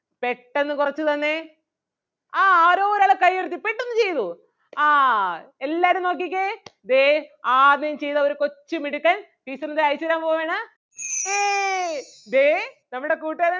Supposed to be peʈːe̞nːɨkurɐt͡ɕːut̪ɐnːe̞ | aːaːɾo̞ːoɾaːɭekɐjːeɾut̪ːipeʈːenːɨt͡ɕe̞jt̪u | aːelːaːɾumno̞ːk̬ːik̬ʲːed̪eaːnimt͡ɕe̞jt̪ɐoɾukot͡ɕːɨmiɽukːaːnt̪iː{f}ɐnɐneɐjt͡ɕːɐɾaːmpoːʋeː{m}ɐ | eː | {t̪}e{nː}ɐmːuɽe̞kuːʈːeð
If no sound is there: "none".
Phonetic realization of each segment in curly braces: s, ɳ, d̪, n

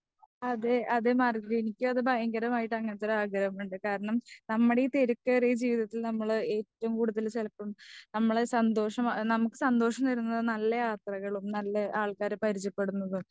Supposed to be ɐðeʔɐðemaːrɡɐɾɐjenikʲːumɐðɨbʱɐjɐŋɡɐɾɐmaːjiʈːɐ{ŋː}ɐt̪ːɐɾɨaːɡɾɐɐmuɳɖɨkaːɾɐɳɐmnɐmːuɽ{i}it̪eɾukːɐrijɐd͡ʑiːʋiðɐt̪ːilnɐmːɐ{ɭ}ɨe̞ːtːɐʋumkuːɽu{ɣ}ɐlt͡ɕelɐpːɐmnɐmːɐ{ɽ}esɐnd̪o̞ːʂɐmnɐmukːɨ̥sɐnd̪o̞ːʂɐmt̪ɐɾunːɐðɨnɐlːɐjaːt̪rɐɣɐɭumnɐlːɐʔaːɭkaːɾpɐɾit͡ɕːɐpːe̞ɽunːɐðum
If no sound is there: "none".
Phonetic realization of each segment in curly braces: ŋː, e, ɭ, ð, ɭ

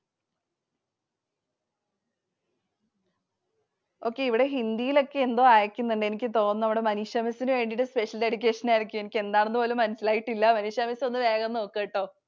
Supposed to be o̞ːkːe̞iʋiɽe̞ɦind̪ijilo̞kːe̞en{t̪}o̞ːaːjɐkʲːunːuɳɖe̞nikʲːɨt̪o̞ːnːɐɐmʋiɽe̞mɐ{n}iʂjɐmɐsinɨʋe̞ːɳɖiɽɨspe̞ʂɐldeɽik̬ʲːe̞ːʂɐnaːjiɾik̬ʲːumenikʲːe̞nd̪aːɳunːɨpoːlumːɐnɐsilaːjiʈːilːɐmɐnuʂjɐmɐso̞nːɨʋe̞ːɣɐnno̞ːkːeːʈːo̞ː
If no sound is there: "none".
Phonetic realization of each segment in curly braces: d̪, n

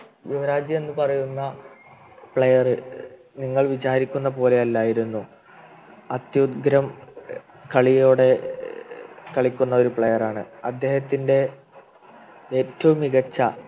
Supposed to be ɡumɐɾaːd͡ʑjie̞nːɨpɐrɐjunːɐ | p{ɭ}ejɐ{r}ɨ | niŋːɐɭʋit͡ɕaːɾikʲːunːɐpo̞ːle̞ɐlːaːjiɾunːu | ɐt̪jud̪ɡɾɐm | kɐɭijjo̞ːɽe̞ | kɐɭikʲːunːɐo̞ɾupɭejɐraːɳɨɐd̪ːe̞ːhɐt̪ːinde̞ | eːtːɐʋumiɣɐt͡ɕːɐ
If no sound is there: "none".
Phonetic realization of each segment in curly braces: ɭ, r

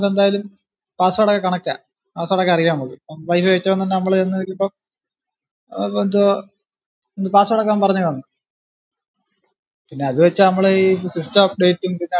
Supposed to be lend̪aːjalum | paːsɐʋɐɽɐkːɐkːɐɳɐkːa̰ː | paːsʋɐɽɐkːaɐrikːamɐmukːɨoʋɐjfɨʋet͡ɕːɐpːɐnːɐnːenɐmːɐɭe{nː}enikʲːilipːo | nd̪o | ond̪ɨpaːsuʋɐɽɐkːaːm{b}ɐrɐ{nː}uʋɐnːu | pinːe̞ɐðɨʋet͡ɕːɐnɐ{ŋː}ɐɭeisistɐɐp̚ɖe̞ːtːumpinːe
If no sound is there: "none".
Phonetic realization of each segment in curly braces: nː, p, ɲː, mː

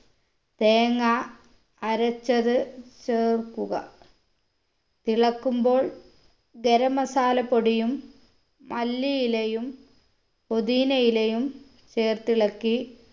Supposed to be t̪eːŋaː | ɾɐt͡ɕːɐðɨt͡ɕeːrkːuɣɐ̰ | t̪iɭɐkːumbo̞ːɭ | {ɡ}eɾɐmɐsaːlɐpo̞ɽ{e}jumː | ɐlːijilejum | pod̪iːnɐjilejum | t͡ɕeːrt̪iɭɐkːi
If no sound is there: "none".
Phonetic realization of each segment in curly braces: ɡ, i

